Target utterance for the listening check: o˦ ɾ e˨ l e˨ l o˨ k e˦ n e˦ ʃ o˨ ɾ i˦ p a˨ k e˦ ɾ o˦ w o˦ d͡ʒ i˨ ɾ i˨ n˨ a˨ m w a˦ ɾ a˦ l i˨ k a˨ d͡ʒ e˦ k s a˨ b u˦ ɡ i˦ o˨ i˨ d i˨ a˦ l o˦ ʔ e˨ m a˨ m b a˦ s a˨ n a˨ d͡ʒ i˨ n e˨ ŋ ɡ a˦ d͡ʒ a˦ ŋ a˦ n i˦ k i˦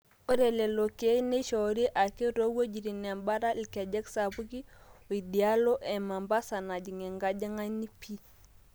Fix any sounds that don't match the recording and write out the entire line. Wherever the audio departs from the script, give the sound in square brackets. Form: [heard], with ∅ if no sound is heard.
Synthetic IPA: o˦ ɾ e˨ l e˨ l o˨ k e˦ n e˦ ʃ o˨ ɾ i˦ [ʔ] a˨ k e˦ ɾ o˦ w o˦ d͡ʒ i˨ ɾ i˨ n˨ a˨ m [b] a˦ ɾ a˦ l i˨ k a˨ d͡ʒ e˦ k s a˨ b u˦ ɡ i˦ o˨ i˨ d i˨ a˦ l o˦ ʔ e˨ m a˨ m b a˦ s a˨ n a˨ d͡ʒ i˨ [ŋ] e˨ ŋ ɡ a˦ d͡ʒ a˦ ŋ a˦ n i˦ [p] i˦

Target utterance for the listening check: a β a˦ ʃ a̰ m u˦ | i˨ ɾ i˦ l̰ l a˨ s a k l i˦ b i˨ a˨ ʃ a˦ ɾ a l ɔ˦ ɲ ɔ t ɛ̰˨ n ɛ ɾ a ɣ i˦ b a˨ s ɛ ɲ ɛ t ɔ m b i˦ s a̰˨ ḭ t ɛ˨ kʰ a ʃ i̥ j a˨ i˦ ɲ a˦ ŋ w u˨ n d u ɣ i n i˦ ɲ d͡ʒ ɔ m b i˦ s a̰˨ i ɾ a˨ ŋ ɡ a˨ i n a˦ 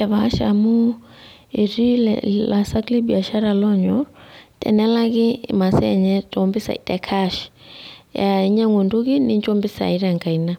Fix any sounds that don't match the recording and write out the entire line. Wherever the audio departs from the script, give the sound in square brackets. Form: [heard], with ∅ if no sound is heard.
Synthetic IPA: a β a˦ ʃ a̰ m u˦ | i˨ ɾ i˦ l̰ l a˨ s a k l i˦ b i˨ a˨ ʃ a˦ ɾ a l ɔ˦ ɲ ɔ t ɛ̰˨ n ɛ [l] a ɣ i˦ [m] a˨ s ɛ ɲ ɛ t ɔ m b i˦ s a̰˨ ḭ t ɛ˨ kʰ a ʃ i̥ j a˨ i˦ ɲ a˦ ŋ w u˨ n d u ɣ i n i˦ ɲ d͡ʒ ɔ m b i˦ s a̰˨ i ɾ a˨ ŋ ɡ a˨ i n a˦

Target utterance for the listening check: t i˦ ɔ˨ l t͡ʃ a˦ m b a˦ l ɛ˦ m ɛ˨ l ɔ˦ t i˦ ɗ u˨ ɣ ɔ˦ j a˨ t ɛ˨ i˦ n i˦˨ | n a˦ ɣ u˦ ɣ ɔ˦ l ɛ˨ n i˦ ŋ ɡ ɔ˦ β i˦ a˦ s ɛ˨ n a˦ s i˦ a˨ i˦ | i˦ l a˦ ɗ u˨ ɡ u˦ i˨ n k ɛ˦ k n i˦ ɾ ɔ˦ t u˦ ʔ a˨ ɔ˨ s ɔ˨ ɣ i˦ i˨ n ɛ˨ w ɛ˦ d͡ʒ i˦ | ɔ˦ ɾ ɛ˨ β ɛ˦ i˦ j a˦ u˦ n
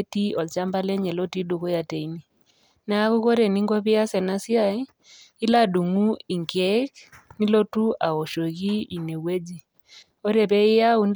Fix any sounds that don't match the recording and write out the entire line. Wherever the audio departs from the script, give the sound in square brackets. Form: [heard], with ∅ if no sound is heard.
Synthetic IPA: t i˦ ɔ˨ l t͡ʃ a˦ m b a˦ l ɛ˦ [ɲ] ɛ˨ l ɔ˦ t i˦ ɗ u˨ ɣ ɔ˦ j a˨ t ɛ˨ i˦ n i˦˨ | n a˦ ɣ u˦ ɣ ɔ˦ [ɾ] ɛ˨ n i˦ ŋ ɡ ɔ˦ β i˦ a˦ s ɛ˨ n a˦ s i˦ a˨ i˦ | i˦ l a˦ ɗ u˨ [ŋ] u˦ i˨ [ŋ] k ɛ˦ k n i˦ [l] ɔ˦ t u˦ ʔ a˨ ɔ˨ [ʃ] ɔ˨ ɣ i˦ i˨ n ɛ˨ w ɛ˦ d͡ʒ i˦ | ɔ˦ ɾ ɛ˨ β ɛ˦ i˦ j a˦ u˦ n

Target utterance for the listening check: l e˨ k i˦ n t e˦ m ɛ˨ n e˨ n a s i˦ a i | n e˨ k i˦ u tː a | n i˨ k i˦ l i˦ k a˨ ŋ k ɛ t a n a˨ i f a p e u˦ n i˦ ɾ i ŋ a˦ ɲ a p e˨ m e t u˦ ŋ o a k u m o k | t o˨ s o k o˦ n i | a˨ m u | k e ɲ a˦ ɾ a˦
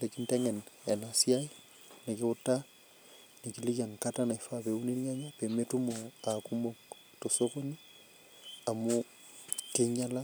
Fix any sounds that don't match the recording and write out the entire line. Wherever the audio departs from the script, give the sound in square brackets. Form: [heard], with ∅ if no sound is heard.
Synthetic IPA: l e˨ k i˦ n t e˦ [ŋ] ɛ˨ n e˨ n a s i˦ a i | n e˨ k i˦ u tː a | n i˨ k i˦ l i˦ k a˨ ŋ k [a] t a n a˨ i f a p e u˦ n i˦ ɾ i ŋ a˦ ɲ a p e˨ m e t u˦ [m] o a k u m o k | t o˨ s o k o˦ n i | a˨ m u | k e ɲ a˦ [l] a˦

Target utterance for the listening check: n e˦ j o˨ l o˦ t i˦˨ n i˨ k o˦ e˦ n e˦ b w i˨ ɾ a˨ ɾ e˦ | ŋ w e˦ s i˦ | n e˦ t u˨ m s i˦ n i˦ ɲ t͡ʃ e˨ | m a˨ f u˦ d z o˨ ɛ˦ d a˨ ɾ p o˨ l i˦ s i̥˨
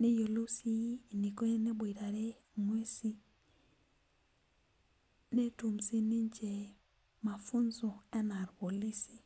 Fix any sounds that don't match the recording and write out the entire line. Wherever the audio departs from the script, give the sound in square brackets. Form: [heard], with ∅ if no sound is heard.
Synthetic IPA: n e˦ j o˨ l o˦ [s] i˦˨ n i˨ k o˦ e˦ n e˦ b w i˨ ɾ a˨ ɾ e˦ | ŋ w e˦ s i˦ | n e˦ t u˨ m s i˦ n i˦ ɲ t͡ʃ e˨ | m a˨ f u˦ [n] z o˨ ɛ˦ [n] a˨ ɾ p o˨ l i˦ s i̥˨

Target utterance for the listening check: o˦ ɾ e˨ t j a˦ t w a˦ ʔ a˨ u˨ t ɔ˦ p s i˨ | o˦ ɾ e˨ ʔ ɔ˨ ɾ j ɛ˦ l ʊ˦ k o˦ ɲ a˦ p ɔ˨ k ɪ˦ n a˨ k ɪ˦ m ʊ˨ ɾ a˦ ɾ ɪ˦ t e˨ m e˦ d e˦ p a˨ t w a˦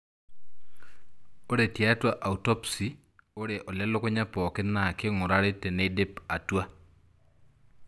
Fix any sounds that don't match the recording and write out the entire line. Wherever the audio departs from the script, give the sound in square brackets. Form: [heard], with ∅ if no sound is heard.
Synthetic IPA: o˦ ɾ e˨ t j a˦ t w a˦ ʔ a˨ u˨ t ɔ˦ p s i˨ | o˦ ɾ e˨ ʔ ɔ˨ [l] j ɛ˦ l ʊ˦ k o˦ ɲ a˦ p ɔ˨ k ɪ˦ n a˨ k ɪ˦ [ŋ] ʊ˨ ɾ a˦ ɾ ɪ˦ t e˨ [n] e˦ d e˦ p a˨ t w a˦

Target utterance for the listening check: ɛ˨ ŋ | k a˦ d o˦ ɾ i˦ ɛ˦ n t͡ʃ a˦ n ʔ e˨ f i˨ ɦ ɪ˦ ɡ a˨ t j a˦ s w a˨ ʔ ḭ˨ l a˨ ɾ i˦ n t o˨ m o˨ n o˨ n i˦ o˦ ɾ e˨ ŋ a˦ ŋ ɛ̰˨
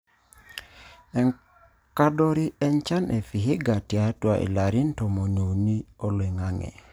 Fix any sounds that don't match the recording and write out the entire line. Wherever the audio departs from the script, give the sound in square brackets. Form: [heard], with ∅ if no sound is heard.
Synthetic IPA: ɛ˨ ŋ | k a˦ d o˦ ɾ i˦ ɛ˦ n t͡ʃ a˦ n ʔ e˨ f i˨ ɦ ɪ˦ ɡ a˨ t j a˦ [t] w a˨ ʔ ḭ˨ l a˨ ɾ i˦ n t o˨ m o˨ n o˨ n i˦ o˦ [l] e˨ ŋ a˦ ŋ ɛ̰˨

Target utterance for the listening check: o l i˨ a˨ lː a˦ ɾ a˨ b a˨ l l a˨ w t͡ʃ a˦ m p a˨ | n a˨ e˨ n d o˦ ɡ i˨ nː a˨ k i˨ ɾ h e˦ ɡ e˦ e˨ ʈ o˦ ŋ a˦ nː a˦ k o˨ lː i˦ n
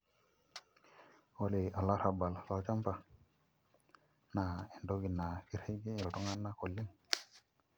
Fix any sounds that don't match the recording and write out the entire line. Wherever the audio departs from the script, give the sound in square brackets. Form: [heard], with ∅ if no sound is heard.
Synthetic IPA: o l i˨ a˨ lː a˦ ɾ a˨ b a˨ l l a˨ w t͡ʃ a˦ m p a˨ | n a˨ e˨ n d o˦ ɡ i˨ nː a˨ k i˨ ɾ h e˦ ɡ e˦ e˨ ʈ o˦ ŋ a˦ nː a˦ k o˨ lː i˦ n

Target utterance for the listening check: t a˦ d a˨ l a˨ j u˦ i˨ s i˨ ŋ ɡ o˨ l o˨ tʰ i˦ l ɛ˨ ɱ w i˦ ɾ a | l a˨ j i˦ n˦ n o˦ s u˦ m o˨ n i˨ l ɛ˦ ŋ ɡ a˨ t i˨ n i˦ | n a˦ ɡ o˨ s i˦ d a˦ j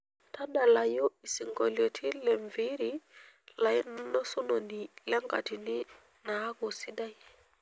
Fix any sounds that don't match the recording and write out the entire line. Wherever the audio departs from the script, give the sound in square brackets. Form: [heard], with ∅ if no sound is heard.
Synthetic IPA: t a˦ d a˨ l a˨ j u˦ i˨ s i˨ ŋ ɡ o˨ l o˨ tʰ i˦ l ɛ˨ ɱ [v] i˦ ɾ [i] | l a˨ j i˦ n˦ n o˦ s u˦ [n] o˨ n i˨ l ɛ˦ ŋ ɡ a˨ t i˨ n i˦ | n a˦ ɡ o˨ s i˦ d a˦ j

